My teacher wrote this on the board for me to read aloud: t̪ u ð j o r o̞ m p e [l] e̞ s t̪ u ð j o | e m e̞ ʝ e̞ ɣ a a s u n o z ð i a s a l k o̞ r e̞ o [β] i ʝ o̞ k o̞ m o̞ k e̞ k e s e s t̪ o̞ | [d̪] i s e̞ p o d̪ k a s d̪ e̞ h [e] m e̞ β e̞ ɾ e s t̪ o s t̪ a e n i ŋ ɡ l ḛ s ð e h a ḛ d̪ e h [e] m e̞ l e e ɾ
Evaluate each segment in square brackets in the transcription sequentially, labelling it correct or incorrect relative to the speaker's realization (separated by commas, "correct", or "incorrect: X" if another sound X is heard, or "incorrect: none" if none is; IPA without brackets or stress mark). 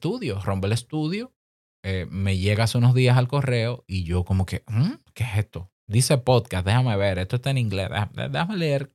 correct, incorrect: none, correct, incorrect: a, incorrect: a